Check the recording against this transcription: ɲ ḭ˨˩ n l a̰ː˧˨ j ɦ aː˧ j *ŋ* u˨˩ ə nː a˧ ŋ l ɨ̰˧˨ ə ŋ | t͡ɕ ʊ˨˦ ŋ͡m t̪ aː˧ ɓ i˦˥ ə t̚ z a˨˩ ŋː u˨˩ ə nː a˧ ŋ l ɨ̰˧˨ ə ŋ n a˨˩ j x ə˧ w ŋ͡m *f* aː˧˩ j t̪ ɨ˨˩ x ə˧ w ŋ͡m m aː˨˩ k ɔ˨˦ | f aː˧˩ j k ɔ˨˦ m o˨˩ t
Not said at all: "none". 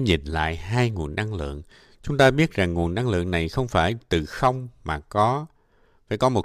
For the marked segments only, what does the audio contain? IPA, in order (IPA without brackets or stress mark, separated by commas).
ŋ, f